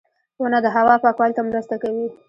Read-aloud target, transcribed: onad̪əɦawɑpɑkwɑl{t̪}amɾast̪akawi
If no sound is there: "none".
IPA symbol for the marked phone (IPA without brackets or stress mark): t̪